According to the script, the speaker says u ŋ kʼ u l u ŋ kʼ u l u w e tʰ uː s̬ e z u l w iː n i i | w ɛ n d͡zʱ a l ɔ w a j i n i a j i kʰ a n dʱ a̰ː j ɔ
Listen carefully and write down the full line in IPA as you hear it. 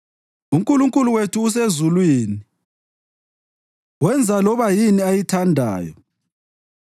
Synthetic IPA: u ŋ kʼ u l u ŋ kʼ u l u w e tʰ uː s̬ e z u l w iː n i i | w ɛ n d͡zʱ a l ɔ β a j i n i a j i tʰ a n dʱ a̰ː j ɔ